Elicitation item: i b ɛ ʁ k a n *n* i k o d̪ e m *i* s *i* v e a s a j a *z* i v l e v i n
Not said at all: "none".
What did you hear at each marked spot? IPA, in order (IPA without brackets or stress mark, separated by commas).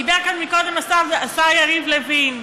m, a, a, ʁ